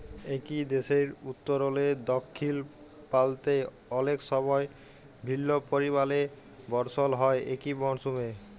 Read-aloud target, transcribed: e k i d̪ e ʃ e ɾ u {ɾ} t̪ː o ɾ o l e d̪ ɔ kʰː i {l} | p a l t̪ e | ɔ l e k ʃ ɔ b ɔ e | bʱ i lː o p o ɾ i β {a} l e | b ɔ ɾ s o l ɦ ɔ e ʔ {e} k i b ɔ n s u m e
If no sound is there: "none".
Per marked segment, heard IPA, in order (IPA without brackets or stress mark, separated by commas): none, l, a, e